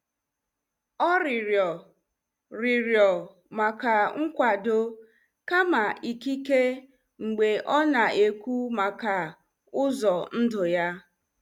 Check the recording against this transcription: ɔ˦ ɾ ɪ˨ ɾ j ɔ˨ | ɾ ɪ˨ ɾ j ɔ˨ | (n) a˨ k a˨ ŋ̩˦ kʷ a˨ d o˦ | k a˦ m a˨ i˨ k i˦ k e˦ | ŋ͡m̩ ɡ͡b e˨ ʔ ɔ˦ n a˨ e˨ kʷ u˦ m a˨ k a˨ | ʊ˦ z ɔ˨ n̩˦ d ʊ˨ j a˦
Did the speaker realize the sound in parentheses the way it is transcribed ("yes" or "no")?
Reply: no